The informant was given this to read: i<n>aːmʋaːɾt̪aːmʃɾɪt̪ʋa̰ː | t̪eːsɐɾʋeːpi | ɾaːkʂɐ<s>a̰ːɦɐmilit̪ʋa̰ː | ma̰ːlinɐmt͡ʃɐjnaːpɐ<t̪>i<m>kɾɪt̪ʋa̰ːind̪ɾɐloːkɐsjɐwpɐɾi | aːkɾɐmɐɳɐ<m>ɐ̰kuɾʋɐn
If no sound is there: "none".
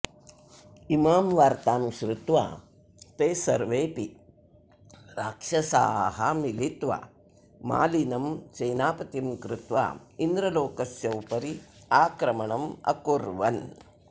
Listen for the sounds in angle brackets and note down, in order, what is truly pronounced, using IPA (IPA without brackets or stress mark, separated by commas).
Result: m, s, t̪, m, m